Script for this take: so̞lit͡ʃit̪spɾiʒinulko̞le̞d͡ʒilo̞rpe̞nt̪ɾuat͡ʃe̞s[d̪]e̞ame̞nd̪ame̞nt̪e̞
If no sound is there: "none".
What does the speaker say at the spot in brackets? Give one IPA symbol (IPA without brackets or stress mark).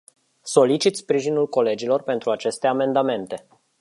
t̪